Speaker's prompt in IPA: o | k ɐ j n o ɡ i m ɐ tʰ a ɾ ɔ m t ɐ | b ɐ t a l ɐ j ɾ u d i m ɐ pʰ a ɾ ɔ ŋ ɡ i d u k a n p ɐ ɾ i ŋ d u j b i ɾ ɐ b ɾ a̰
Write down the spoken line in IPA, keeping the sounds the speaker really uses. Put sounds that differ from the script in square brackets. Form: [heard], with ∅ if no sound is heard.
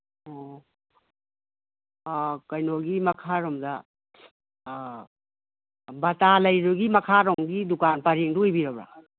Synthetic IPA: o | k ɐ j n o ɡ i m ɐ [kʰ] a ɾ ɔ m [d] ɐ | b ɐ t a l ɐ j ɾ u [ɡ] i m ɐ [kʰ] a ɾ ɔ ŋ ɡ i d u k a n p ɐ ɾ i ŋ d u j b i ɾ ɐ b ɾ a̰